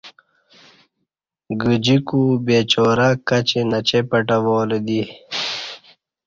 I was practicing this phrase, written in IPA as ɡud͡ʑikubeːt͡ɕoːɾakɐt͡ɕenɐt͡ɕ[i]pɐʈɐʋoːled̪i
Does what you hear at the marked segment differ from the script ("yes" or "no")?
yes